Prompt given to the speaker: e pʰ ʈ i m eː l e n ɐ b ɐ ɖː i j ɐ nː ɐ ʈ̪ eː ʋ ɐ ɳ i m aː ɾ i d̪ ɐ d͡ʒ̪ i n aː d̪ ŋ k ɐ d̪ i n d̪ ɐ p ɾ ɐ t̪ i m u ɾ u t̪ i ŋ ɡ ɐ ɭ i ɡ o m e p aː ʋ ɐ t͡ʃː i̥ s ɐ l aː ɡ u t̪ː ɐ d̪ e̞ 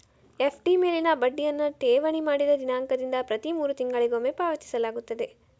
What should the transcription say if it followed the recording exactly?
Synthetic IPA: e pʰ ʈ i m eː l i n ɐ b ɐ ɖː i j ɐ nː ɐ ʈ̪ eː ʋ ɐ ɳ i m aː ɽ i d̪ ɐ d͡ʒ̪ i n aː ŋ k ɐ d̪ i n d̪ ɐ p ɾ ɐ t̪ i m uː ɾ u t̪ i ŋ ɡ ɐ ɭ i ɡ o m e p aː ʋ ɐ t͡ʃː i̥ s ɐ l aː ɡ u t̪ː ɐ d̪ e̞

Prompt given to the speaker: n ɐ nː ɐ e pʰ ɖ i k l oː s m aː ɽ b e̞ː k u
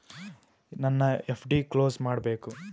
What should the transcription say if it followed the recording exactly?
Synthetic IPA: n ɐ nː ɐ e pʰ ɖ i k l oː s m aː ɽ b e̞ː k u

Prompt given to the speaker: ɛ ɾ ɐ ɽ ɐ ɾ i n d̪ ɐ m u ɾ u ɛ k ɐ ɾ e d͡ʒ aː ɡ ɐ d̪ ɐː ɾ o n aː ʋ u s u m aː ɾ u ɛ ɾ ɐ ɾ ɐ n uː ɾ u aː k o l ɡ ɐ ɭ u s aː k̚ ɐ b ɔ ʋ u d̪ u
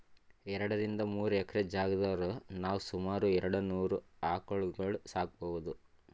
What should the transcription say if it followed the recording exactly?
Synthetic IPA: ɛ ɾ ɐ ɽ ɐ ɾ i n d̪ ɐ m uː ɾ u ɛ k ɐ ɾ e d͡ʒ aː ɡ ɐ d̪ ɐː ɾ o n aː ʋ u s u m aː ɾ u ɛ ɾ ɐ ɽ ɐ n uː ɾ u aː k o ɭ ɡ ɐ ɭ u s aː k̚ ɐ b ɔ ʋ u d̪ u

